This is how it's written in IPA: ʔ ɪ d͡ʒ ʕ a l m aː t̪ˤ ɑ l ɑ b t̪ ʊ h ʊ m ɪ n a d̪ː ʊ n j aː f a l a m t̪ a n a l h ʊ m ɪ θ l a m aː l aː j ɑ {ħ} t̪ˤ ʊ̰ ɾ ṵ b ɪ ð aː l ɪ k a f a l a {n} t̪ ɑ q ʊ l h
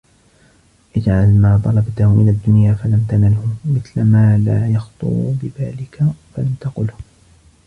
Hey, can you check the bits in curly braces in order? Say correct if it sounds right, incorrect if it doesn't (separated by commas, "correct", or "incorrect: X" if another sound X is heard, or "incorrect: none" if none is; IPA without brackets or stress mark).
incorrect: x, incorrect: m